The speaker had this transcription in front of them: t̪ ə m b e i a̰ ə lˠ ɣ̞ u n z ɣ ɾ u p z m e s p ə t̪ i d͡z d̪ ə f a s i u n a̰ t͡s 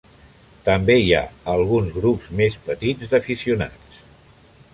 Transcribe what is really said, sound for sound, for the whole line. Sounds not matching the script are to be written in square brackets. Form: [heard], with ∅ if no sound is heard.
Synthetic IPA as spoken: t̪ ə m b e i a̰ ə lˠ ɣ̞ u n z ɣ ɾ u p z m e s p ə t̪ i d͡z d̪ ə f [i] s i u n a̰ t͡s